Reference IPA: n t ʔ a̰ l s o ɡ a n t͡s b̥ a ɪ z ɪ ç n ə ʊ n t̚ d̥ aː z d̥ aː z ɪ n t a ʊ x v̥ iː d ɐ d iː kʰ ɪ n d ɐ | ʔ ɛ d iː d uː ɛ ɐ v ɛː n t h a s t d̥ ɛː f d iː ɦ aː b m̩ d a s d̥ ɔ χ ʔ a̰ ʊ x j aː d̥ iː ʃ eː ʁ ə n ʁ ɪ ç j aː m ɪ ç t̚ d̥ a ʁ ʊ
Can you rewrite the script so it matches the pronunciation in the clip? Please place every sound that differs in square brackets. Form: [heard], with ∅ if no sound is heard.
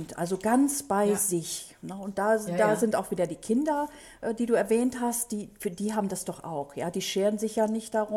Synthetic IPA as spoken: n t ʔ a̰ l [z] o ɡ a n t͡s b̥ a ɪ z ɪ ç n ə ʊ n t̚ d̥ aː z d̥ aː z ɪ n t a ʊ x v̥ iː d ɐ d iː kʰ ɪ n d ɐ | ʔ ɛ d iː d uː ɛ ɐ v ɛː n t h a s t d̥ [iː] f d iː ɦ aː b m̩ d a s d̥ ɔ χ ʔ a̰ ʊ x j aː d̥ iː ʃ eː ʁ ə n [z] ɪ ç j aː [n] ɪ ç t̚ d̥ a ʁ ʊ